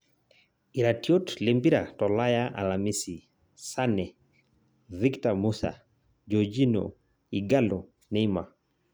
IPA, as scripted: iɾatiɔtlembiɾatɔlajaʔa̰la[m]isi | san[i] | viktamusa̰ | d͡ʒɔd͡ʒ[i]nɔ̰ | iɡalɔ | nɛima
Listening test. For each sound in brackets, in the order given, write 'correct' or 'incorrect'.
correct, incorrect: ɛ, correct

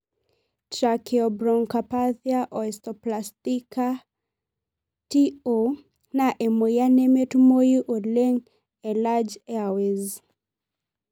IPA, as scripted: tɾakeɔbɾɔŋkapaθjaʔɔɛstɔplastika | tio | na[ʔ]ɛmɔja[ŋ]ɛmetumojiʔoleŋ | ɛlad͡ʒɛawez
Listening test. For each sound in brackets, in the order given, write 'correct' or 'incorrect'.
correct, incorrect: n

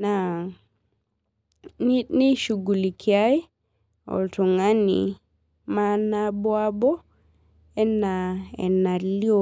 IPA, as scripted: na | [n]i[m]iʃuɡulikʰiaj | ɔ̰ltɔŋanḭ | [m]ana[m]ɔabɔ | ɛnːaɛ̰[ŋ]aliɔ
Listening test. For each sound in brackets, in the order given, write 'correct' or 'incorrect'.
correct, incorrect: n, correct, incorrect: b, incorrect: n

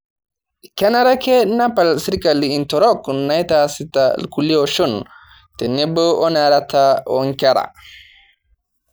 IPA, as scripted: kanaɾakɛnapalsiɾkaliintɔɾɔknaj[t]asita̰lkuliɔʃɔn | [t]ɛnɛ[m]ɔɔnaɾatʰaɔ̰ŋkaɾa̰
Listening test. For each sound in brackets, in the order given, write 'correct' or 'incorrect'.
correct, correct, incorrect: b

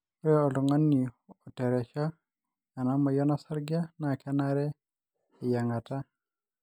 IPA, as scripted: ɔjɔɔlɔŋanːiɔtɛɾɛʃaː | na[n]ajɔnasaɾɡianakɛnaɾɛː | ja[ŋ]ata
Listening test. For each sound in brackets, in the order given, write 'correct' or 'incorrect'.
incorrect: m, correct

